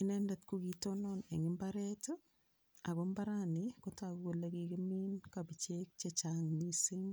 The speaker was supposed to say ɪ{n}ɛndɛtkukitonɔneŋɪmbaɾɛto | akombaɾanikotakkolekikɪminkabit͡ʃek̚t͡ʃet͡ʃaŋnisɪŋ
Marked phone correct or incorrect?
correct